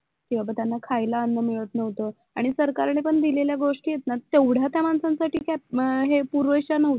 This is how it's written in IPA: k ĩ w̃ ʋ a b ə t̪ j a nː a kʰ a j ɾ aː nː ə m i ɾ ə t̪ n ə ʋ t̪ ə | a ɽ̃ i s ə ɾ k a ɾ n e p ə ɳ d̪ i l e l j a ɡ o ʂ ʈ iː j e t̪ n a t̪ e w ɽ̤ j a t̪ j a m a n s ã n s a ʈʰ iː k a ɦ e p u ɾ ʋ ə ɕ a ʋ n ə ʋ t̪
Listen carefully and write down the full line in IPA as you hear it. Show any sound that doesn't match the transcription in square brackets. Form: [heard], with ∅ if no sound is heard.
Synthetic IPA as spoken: k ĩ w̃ ʋ a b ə t̪ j a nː a kʰ a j [l] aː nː ə m i [ɭ] ə t̪ n ə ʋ t̪ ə | a ɽ̃ i s ə ɾ k a ɾ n e p ə ɳ d̪ i l e l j a ɡ o ʂ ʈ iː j e t̪ n a t̪ e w ɽ̤ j a t̪ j a m a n s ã n s a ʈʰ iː k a ɦ e p u ɾ ʋ ə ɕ a [∅] n ə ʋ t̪